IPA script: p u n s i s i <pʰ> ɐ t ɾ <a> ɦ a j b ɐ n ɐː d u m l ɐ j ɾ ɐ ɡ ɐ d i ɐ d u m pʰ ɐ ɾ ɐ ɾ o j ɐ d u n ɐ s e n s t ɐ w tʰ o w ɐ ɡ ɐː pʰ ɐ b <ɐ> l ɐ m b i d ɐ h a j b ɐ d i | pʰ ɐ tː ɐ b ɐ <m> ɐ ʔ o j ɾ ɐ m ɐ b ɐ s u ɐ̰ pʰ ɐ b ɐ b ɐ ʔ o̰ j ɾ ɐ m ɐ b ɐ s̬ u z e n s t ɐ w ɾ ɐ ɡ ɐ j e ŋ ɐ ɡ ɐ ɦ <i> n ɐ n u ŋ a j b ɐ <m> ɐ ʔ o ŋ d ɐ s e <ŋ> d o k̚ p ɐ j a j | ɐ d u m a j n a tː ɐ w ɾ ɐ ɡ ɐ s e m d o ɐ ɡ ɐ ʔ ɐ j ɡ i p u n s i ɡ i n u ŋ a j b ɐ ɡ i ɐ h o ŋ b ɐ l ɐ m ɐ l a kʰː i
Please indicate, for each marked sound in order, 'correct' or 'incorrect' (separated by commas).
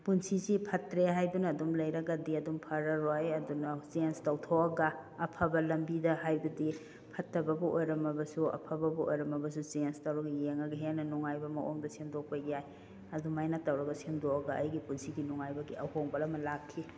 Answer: correct, incorrect, correct, incorrect, incorrect, correct, incorrect